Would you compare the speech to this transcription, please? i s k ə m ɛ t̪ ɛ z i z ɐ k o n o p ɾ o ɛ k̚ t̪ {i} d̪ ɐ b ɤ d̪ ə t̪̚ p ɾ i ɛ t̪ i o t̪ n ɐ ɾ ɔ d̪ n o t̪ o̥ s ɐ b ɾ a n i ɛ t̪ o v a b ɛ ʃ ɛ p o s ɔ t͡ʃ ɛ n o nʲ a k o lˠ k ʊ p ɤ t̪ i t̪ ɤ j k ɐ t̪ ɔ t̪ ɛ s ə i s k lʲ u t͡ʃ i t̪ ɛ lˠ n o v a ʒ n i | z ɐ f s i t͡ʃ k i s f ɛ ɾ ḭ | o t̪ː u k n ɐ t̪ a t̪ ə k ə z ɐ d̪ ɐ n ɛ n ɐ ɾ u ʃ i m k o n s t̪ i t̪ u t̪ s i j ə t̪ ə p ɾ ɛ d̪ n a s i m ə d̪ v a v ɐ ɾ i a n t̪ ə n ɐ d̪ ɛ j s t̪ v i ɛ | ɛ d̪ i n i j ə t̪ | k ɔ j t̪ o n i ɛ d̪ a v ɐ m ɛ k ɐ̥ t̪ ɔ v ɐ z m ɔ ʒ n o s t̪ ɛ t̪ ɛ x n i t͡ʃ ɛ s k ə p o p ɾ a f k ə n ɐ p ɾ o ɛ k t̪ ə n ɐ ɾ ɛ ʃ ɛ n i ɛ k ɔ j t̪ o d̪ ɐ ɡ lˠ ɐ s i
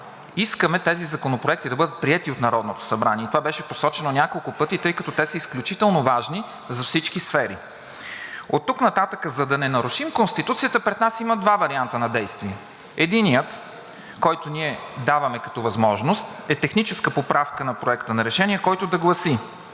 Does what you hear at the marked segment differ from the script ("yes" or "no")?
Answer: no